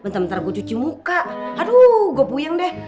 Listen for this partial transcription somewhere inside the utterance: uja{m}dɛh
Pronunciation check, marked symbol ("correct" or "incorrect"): incorrect